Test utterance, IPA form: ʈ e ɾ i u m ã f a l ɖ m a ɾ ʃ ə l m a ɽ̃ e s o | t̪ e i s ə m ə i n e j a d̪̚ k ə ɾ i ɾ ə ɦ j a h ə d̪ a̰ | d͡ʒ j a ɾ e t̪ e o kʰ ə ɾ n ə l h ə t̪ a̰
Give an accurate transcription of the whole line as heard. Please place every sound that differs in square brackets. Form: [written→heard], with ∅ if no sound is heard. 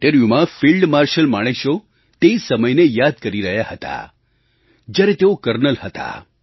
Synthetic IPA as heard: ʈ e ɾ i u m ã f [a→i] l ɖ m a ɾ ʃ ə l m a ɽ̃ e [s→ʃ] o | t̪ e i s ə m ə [i→j] n e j a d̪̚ k ə ɾ i ɾ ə ɦ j a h ə [d̪→t̪] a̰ | d͡ʒ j a ɾ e t̪ e o [kʰ→k] ə ɾ n ə l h ə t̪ a̰